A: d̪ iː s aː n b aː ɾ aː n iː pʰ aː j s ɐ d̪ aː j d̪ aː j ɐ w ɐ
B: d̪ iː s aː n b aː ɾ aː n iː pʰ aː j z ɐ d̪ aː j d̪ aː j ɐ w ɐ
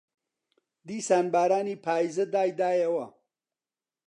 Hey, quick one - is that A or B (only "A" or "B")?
B